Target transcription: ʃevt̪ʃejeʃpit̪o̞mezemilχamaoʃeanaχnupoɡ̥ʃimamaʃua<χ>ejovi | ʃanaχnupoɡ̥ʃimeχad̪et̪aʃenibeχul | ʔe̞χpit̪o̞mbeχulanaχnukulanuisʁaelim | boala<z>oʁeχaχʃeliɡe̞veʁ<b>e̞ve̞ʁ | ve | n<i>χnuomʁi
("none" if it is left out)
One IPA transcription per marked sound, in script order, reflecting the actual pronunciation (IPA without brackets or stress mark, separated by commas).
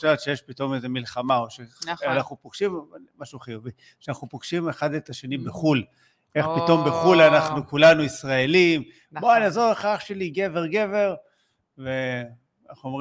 χ, z, ɡ, a